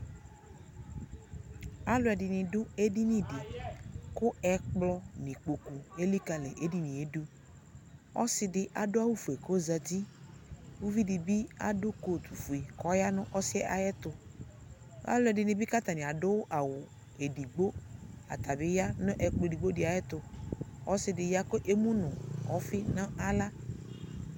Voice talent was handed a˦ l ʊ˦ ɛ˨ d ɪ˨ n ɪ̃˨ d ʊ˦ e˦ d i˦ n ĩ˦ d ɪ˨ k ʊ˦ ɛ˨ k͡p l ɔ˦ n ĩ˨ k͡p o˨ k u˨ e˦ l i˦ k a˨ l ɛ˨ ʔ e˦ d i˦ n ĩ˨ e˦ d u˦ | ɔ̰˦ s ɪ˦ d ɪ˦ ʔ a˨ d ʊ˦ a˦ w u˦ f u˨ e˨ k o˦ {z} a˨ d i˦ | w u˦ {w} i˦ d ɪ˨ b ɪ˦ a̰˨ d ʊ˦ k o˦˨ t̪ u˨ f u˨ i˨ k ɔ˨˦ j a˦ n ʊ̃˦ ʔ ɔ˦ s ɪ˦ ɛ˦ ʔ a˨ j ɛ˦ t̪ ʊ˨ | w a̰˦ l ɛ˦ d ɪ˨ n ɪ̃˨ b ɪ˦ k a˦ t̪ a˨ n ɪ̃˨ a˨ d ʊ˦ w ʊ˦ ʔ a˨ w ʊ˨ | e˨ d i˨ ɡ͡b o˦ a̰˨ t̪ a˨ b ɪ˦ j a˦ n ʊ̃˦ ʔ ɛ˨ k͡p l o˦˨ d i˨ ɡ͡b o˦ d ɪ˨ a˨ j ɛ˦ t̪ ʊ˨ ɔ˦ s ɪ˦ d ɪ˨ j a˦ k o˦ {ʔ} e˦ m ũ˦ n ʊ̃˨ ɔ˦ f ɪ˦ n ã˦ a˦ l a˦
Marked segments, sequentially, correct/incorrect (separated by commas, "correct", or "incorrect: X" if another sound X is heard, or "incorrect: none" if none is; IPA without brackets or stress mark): correct, incorrect: v, correct